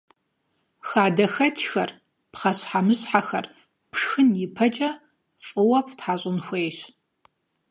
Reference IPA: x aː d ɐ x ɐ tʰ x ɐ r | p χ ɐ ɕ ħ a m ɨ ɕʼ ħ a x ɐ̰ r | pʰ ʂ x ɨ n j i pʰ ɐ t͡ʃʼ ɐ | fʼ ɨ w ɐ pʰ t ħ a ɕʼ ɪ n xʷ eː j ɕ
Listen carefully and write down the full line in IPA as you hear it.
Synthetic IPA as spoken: x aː d ɐ x ɐ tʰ x ɐ r | p χ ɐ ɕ ħ a m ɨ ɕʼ ħ a x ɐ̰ r | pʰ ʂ x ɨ n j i pʰ ɐ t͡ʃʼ ɐ | fʼ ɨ w ɐ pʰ t ħ a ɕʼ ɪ n xʷ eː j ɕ